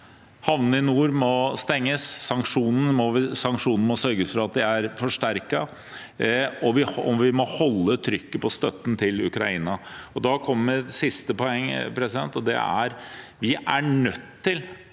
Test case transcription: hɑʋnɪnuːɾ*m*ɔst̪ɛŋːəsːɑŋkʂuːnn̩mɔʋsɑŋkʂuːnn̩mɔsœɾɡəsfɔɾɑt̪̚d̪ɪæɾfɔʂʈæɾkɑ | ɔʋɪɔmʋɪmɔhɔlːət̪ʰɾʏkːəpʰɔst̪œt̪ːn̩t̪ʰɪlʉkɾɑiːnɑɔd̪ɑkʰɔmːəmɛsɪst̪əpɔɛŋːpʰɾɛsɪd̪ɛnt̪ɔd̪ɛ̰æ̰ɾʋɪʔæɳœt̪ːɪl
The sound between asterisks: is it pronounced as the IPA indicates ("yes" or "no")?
yes